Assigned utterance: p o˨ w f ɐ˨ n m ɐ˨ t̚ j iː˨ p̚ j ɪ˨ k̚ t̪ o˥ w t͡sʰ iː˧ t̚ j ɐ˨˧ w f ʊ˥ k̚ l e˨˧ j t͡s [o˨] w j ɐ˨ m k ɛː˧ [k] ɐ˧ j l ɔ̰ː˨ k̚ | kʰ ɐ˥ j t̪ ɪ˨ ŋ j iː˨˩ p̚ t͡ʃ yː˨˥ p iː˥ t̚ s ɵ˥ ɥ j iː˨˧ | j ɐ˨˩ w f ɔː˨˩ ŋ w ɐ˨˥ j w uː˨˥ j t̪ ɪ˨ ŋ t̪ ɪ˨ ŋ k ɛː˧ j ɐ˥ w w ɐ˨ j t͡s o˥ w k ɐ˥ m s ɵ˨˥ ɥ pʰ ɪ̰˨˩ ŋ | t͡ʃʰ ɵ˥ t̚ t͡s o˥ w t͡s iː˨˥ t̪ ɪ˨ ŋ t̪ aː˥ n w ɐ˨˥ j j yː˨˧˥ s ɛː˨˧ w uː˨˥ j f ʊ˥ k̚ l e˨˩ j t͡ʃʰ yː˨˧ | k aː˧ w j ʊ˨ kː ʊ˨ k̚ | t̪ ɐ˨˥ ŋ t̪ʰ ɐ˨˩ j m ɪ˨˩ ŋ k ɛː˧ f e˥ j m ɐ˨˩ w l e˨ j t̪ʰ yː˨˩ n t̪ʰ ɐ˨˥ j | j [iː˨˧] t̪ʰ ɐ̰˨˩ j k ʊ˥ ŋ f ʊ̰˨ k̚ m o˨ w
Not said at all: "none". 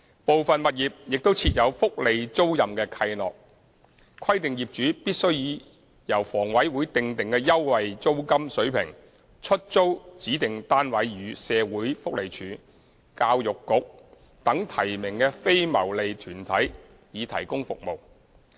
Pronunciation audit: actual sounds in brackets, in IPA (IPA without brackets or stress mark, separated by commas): o˥, kʰ, iː˨˧